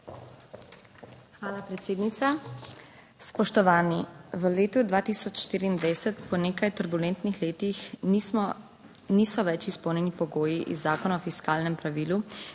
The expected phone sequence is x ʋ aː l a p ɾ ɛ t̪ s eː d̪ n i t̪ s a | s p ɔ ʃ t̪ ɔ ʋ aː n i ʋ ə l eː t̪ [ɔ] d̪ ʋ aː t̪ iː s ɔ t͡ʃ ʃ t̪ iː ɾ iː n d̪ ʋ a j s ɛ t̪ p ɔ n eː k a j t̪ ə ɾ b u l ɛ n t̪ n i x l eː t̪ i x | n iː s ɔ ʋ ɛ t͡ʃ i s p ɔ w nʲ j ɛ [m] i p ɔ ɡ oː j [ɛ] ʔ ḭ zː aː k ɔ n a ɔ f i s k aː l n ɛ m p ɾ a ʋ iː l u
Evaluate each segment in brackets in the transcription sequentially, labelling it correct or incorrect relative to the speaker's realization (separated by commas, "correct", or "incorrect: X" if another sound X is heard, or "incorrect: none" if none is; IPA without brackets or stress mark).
incorrect: u, incorrect: n, incorrect: i